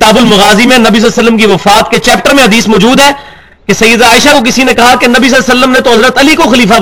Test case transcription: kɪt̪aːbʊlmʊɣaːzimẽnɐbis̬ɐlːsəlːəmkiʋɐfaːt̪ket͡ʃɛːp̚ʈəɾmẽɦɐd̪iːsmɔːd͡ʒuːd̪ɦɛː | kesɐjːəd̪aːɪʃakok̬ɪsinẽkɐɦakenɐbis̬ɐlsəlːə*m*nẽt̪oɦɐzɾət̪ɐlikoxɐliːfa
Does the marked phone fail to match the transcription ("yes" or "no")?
no